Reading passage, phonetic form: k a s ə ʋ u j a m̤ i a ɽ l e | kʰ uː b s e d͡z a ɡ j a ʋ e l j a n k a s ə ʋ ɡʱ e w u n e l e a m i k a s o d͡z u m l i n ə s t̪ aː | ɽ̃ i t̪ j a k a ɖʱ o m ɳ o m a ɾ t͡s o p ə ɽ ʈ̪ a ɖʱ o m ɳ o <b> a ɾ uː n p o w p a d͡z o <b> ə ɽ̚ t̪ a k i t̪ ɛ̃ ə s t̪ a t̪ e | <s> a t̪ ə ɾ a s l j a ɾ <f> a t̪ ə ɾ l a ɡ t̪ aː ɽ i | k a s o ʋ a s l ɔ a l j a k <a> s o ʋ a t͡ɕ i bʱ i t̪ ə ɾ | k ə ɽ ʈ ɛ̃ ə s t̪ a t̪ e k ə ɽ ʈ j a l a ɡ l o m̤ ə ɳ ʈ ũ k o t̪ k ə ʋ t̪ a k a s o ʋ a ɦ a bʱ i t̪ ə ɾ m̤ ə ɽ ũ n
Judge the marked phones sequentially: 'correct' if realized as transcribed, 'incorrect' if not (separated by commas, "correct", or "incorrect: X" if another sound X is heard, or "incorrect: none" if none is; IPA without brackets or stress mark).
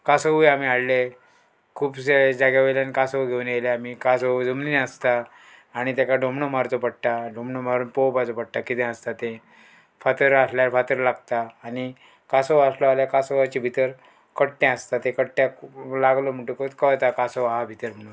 incorrect: m, incorrect: p, incorrect: f, correct, correct